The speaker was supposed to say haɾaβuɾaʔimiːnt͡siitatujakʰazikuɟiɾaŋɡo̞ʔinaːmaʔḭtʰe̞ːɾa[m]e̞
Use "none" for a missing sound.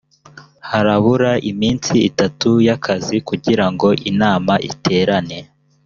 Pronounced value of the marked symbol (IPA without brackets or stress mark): n